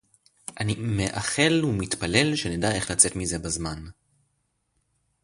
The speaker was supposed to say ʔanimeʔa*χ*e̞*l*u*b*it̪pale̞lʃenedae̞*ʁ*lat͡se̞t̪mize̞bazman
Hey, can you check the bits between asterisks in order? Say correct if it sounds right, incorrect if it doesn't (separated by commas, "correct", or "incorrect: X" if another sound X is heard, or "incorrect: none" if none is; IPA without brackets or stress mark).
correct, correct, incorrect: m, incorrect: χ